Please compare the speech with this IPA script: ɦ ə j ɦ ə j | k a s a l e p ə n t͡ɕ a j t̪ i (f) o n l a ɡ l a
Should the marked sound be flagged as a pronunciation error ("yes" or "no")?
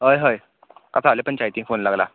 no